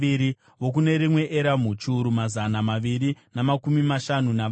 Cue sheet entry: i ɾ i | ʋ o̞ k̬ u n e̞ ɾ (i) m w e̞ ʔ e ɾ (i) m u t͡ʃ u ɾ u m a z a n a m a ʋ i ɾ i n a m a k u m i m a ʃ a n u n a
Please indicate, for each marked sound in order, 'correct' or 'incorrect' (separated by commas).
correct, incorrect